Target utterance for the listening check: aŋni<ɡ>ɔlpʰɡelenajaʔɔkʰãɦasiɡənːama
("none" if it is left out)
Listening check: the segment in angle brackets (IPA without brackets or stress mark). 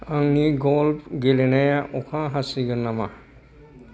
ɡ